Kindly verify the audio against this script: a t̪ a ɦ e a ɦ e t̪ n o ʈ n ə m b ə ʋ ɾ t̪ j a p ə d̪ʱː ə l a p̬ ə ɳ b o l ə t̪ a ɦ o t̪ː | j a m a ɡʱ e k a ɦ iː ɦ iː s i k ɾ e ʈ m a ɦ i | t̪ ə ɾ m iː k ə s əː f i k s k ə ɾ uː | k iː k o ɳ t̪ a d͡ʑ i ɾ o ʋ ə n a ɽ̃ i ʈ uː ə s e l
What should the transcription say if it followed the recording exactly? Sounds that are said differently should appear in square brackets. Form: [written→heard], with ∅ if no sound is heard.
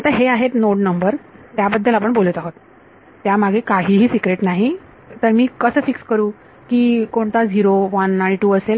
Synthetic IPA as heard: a t̪ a ɦ e a ɦ e t̪ n o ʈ n ə m b ə [ʋ→∅] ɾ t̪ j a [p→b] ə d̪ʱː ə l a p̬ ə ɳ b o l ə t̪ a ɦ o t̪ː | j a m a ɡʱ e k a ɦ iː ɦ iː s i k ɾ e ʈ [m→n] a ɦ i | t̪ ə ɾ m iː k ə s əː f i k s k ə ɾ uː | k iː k o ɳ t̪ a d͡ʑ i ɾ o ʋ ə n a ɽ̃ i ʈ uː ə s e l

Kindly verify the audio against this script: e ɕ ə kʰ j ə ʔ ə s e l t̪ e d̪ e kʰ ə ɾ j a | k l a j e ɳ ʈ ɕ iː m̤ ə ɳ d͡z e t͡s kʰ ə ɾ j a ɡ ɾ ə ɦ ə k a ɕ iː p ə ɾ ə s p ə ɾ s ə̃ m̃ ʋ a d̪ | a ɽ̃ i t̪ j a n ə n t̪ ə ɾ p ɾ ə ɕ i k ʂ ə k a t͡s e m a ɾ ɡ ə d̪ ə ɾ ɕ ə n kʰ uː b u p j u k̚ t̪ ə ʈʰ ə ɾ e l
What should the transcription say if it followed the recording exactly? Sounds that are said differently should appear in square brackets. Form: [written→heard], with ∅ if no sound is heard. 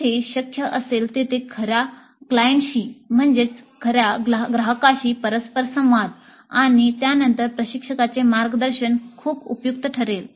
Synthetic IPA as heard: e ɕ ə kʰ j ə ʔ ə s e l t̪ e [d̪→t̪] e kʰ ə ɾ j a | k l a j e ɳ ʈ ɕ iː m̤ ə ɳ d͡z e t͡s kʰ ə ɾ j a ɡ ɾ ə ɦ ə k a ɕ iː p ə ɾ ə s p ə ɾ s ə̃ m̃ ʋ a d̪ | a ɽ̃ i t̪ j a n ə n t̪ ə ɾ p ɾ ə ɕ i k ʂ ə k a t͡s e m a ɾ ɡ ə d̪ ə ɾ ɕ ə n kʰ uː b u p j u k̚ t̪ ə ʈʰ ə ɾ e l

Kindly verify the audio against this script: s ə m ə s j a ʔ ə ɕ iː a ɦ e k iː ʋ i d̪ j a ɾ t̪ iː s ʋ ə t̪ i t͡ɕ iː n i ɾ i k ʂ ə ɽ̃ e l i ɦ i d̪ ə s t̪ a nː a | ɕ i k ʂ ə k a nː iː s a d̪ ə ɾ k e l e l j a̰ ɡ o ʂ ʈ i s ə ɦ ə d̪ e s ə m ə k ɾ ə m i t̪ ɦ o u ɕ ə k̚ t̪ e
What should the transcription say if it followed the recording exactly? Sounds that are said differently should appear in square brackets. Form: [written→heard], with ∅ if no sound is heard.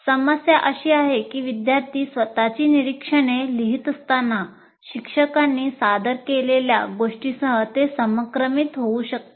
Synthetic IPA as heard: s ə m ə s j a ʔ ə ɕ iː a ɦ e k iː ʋ i d̪ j a ɾ t̪ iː s ʋ ə t̪ [i→a] t͡ɕ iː n i ɾ i k ʂ ə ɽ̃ e l i ɦ i [d̪→t̪] ə s t̪ a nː a | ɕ i k ʂ ə k a nː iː s a d̪ ə ɾ k e l e l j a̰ ɡ o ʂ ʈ i s ə ɦ ə [d̪→t̪] e s ə m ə k ɾ ə m i t̪ ɦ o u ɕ ə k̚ t̪ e

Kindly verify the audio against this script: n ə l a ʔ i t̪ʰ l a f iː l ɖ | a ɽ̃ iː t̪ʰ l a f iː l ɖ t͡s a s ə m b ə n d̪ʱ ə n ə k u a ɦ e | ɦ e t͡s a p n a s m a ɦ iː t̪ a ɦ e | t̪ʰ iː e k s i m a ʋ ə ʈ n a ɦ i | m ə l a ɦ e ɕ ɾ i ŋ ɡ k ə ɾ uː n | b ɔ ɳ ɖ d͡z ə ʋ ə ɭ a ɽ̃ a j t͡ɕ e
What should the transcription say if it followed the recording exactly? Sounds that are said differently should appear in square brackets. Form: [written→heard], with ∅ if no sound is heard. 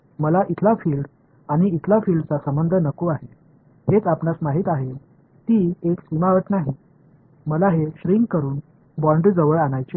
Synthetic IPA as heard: [n→m] ə l a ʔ i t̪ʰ l a f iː l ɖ | a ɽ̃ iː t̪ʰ l a f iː l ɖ t͡s a s ə m b ə n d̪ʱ ə n ə k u a ɦ e | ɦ e t͡s a p n a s m a ɦ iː t̪ a ɦ e | [t̪ʰ→t̪] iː e k s i m a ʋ ə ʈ n a ɦ i | m ə l a ɦ e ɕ ɾ i ŋ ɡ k ə ɾ uː n | b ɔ ɳ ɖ d͡z ə ʋ ə ɭ a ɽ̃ a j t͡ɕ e

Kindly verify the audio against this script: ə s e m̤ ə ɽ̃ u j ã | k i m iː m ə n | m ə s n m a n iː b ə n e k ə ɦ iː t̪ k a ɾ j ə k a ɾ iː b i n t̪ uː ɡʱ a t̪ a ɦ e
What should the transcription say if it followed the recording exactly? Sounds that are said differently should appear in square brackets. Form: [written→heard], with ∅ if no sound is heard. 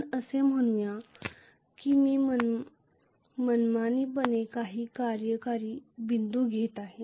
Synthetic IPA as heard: ə s e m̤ ə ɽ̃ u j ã | k i m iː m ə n | m ə [s→∅] n m a n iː b ə n e k [ə→a] ɦ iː [t̪→∅] k a ɾ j ə k a ɾ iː b i n [t̪→d̪] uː ɡʱ [a→e] t̪ a ɦ e

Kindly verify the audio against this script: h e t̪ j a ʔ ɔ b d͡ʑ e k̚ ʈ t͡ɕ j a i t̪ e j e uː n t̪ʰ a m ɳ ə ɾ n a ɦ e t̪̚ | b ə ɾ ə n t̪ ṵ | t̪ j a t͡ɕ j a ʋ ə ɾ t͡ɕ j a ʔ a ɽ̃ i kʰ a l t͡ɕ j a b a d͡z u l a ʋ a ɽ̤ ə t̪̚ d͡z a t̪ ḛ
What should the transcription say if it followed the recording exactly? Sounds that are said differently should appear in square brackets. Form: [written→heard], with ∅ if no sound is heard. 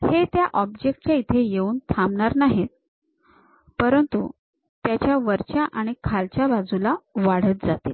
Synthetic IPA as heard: h e t̪ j a ʔ ɔ b d͡ʑ e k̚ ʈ t͡ɕ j a i [t̪→t̪ʰ] e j e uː n t̪ʰ a m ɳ [ə→a] ɾ n a ɦ e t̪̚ | [b→p] ə ɾ ə n t̪ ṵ | t̪ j a t͡ɕ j a ʋ ə ɾ t͡ɕ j a ʔ a ɽ̃ i kʰ a l t͡ɕ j a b a d͡z u l a ʋ a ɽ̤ ə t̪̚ d͡z a t̪ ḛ

